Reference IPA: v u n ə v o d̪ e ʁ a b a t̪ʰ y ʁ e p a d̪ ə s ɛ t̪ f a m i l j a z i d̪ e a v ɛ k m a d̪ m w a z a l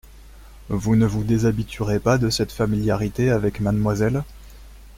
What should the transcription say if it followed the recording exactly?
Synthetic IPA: v u n ə v u d̪ e z a b i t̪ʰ y ʁ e p a d̪ ə s ɛ t̪ f a m i l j a ʁ i t̪ e a v ɛ k m a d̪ m w a z ɛ l